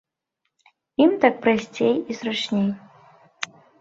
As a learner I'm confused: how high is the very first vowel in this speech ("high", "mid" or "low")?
high